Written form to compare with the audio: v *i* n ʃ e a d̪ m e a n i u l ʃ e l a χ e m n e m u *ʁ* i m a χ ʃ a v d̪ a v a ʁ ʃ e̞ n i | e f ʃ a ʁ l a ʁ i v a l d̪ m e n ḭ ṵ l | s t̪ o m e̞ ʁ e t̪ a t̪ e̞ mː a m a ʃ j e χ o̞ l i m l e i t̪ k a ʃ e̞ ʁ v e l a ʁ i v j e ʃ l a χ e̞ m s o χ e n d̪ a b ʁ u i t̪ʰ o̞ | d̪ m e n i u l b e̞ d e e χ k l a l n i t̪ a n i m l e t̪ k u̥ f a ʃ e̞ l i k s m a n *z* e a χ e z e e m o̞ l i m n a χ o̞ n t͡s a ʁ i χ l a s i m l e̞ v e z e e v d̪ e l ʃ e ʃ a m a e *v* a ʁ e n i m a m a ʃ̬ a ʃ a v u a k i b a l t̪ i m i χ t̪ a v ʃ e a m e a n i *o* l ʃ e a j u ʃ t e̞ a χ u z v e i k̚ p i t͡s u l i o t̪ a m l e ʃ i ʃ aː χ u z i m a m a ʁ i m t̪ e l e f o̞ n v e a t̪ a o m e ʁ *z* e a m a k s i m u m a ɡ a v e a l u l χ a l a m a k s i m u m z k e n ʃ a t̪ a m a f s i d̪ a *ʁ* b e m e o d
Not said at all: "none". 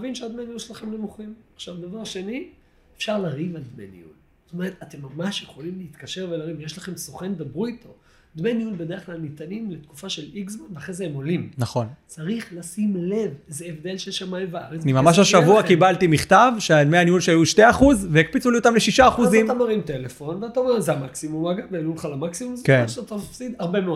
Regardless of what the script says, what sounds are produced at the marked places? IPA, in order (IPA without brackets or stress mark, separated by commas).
i, χ, v, v, u, z, ʁ